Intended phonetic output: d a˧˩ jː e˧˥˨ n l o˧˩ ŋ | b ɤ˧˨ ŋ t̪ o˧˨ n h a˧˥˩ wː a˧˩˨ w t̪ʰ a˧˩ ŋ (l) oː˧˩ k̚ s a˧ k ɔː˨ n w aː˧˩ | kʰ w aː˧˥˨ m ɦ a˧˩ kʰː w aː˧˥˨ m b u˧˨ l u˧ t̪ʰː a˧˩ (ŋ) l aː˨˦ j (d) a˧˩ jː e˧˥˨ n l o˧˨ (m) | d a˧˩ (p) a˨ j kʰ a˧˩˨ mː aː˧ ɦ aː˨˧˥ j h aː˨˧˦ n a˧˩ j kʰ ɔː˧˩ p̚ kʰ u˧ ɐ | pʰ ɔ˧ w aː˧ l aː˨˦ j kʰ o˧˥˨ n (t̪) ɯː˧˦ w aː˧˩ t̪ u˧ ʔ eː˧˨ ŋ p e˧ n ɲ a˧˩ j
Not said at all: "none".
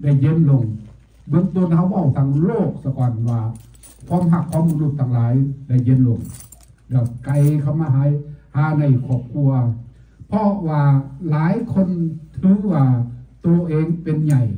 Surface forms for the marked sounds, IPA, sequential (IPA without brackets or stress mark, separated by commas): l, ŋ, d, ŋ, k, t̪ʰ